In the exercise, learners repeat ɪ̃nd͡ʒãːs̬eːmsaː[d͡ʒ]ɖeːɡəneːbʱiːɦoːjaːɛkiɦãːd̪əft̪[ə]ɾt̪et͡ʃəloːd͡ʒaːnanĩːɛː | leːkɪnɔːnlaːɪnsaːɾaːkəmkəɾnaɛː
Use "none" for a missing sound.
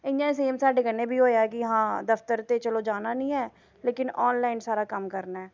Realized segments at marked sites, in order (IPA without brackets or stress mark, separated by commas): none, ə